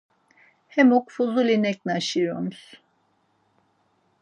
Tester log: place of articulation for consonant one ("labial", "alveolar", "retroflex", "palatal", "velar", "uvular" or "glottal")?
glottal